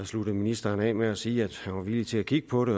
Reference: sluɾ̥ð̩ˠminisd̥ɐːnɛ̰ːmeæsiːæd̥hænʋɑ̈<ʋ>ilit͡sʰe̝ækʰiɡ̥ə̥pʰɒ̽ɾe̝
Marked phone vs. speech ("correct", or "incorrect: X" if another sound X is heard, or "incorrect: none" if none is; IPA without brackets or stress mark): correct